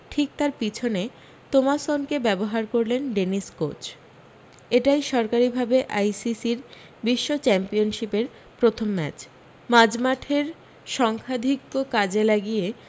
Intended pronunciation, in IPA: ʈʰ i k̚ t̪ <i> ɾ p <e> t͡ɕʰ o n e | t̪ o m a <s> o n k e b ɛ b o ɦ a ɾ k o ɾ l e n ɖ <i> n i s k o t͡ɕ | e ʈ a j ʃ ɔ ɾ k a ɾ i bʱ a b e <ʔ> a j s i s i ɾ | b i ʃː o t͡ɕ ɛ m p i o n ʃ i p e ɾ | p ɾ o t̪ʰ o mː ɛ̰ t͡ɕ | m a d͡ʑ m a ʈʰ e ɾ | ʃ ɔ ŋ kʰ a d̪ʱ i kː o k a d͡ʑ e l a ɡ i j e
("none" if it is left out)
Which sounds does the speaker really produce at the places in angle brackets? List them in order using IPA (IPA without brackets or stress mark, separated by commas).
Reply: a, i, s, e, ʔ